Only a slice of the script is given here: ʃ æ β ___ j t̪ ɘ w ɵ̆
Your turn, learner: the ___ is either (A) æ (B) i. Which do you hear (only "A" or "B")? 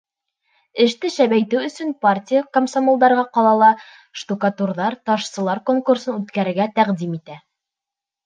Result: A